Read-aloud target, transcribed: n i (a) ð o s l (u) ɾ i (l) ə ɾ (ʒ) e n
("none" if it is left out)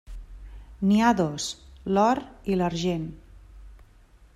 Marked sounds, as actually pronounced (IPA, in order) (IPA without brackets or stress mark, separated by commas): a, ɔ, l, ʒ